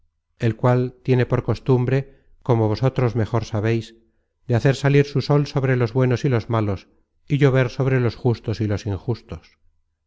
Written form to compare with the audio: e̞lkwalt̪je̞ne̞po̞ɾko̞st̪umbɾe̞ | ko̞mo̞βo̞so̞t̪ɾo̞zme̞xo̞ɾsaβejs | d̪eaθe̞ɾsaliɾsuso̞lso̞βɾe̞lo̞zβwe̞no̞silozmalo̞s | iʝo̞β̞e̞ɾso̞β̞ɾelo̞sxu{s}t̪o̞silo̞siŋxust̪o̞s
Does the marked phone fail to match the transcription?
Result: no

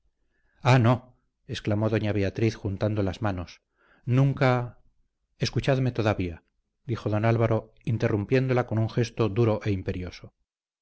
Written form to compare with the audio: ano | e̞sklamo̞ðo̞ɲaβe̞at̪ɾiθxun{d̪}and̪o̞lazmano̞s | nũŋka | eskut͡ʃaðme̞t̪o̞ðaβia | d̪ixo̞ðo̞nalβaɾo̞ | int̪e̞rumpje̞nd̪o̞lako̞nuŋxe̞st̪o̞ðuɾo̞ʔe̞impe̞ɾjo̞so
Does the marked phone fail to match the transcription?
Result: yes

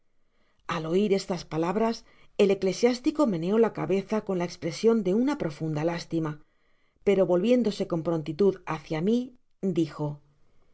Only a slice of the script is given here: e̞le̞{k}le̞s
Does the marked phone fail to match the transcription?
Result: no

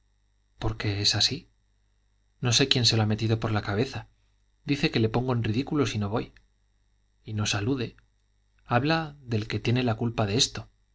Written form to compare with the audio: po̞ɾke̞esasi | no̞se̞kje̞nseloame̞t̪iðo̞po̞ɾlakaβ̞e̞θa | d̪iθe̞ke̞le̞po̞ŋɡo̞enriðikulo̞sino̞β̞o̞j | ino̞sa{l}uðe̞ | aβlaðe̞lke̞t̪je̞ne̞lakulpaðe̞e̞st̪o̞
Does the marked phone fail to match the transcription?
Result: no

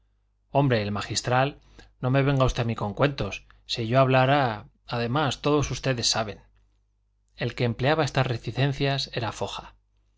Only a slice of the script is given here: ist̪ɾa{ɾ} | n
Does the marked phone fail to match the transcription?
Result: yes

